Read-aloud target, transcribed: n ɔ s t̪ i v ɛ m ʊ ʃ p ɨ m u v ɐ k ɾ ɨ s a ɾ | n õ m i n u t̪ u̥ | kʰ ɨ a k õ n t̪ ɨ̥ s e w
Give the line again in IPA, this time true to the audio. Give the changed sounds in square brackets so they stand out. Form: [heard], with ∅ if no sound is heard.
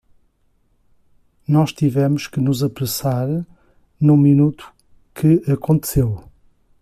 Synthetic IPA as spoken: n ɔ [ʃ] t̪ i v ɛ m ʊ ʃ [k] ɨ [n] u [z] ɐ [p] ɾ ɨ s a ɾ | n [ũ] m i n u t̪ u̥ | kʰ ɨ [ɐ] k õ n t̪ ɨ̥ s e w